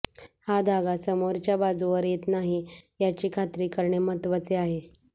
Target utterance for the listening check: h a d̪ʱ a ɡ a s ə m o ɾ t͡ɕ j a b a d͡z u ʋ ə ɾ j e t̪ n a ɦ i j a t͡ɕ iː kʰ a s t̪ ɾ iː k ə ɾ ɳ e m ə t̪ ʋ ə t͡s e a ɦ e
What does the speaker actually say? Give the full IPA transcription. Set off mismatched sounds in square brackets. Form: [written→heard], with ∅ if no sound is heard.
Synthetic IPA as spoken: h a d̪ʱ a ɡ a s ə m o ɾ t͡ɕ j a b a d͡z u ʋ ə ɾ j e t̪ n a ɦ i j a t͡ɕ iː kʰ a [s→∅] t̪ ɾ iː k ə ɾ ɳ e m ə t̪ ʋ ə t͡s e a ɦ e